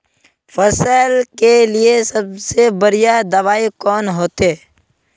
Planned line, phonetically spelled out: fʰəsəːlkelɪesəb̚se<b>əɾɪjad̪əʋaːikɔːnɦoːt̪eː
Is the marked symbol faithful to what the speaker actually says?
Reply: yes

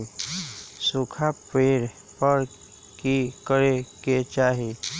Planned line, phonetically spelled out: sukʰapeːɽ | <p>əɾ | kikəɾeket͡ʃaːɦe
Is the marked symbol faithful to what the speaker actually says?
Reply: yes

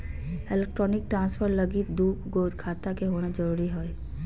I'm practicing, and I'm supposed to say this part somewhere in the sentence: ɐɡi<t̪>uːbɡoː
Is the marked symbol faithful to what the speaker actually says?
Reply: no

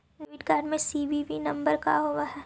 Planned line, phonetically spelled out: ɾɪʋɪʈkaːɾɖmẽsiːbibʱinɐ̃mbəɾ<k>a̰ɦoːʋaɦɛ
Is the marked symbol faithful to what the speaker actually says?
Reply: yes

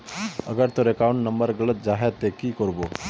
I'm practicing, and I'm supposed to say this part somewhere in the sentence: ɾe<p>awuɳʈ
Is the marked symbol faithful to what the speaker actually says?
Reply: no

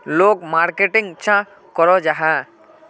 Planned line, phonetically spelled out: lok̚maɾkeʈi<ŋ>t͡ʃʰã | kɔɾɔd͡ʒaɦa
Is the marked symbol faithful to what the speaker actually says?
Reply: yes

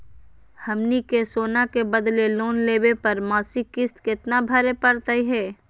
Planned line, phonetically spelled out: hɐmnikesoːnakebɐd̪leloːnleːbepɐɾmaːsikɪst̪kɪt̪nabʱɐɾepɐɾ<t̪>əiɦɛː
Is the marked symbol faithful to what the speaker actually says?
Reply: yes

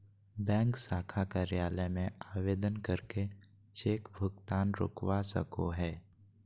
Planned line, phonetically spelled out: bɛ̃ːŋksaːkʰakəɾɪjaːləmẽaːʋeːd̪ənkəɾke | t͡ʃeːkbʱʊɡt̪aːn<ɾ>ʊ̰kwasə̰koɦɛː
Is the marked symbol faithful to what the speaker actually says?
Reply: yes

